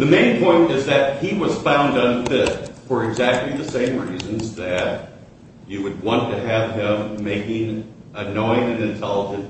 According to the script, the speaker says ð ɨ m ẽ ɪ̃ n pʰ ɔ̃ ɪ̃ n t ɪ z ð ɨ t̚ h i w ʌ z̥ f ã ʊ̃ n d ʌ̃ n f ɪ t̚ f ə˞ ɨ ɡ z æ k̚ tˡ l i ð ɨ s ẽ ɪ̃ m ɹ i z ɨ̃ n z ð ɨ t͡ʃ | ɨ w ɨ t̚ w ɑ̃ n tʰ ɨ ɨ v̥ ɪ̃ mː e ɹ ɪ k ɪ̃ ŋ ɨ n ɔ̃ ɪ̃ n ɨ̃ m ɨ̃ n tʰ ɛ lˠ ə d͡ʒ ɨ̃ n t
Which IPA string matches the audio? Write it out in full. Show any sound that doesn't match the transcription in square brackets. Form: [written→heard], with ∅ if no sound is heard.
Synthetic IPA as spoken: ð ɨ m ẽ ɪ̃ n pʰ ɔ̃ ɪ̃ n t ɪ z ð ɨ t̚ h i w ʌ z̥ f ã ʊ̃ n d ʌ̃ n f ɪ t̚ f ə˞ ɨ ɡ z æ k̚ tˡ l i ð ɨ s ẽ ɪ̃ m ɹ i z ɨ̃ n z ð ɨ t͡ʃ | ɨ w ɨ [t̚→d̚] w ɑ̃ n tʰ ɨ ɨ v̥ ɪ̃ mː e [ɹ→∅] ɪ k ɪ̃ ŋ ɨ n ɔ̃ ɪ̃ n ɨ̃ [m→n] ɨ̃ n tʰ ɛ lˠ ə d͡ʒ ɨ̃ n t